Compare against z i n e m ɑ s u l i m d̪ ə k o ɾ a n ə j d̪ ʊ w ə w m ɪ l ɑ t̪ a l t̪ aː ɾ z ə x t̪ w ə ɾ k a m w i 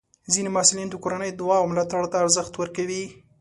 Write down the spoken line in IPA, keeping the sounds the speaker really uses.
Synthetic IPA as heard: z i n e m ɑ s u l i n d̪ ə k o ɾ a n ə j d̪ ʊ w ɑ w m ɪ l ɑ t̪ a ɽ t̪ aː ɾ z ə x t̪ w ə ɾ k a w i